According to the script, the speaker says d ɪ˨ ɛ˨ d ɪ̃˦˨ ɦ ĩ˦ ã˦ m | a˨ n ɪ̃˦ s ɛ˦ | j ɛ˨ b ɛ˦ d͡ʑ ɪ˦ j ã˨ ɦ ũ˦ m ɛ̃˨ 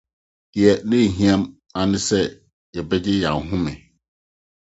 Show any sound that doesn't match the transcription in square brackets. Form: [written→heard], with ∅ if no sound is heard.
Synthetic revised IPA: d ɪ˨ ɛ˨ [d→n] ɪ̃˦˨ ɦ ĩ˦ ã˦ m | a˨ n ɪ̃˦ s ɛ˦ | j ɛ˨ b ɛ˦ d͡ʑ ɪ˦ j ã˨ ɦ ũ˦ m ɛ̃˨